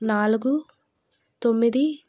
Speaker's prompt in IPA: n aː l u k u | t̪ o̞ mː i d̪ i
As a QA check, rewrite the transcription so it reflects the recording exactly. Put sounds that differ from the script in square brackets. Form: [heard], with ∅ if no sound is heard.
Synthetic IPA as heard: n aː l u [ɡ] u | t̪ o̞ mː i d̪ i